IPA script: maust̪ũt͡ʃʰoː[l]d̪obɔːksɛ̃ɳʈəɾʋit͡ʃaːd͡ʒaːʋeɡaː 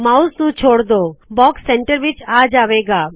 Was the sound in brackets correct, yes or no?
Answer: no